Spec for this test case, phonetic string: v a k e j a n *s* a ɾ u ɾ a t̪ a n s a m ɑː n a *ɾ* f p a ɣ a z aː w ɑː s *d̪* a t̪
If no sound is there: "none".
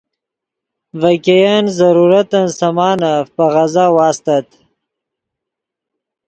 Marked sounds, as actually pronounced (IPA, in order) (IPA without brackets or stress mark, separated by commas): z, none, t̪